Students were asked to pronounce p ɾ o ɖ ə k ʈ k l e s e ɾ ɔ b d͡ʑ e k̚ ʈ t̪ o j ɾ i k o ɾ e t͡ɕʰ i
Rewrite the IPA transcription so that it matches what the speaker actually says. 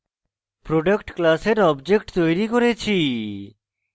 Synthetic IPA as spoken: p ɾ o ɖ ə k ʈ k l a s e ɾ ɔ b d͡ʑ e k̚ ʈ t̪ o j ɾ i k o ɾ e t͡ɕʰ i

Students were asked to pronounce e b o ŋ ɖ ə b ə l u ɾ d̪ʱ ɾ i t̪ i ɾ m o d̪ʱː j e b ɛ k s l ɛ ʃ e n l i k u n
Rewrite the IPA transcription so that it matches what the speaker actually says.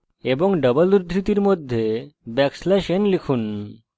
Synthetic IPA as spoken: e b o ŋ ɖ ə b ə l u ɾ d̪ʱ ɾ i t̪ i ɾ m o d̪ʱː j e b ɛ k s l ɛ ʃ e n l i kʰ u n

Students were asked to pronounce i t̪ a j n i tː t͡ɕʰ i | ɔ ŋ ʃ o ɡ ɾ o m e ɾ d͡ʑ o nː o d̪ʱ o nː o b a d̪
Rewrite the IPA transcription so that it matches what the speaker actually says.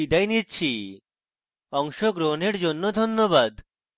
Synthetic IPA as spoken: i d̪ a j n i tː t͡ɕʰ i | ɔ ŋ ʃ o ɡ ɾ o n e ɾ d͡ʑ o nː o d̪ʱ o nː o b a d̪

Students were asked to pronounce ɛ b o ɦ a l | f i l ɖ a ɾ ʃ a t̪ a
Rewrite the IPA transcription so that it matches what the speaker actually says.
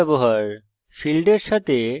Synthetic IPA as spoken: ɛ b o ɦ a ɾ | f i l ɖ e ɾ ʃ a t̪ e

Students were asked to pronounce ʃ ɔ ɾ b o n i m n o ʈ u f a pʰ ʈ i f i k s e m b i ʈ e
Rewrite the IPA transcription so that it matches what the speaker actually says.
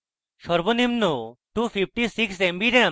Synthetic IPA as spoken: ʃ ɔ ɾ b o n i m n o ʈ u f i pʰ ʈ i s i k s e m b i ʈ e

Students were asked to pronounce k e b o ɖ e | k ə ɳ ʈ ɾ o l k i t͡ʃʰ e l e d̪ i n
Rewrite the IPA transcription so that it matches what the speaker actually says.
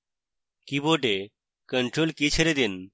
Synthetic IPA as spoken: k i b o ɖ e | k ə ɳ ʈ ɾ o l k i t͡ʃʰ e ɾ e d̪ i n

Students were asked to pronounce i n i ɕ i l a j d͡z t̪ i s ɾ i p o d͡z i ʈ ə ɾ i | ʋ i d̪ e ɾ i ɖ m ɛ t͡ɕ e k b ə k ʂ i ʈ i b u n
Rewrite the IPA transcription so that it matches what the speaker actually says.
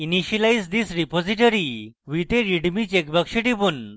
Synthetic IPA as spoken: i n i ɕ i l a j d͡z d̪ i s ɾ i p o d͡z i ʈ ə ɾ i | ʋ i t̪ e ɾ i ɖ m i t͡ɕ e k b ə k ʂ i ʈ i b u n

